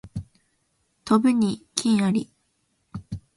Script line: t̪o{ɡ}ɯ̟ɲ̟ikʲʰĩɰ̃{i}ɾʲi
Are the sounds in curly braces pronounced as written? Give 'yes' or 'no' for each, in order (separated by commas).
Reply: no, no